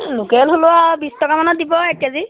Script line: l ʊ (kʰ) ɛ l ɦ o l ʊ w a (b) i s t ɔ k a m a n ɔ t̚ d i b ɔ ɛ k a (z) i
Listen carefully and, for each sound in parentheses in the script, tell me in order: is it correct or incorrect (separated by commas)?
incorrect, correct, correct